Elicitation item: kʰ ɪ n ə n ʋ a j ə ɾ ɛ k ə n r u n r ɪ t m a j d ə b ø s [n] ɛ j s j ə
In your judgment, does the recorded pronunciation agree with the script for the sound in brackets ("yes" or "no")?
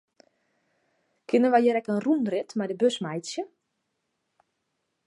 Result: no